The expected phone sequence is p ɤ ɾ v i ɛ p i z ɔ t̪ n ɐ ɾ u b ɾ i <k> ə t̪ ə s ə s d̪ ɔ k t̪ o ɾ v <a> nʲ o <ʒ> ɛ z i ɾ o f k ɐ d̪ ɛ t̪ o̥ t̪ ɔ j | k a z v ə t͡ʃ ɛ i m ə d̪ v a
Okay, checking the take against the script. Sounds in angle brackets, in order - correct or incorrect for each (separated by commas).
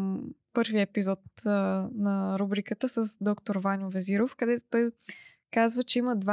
correct, correct, incorrect